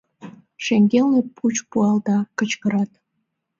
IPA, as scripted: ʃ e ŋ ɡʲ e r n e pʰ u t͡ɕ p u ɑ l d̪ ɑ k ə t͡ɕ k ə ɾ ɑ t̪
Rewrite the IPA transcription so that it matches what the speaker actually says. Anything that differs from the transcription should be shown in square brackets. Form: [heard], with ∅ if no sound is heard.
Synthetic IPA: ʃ e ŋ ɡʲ e [l] n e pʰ u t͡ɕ p u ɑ l d̪ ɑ k ə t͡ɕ k ə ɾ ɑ t̪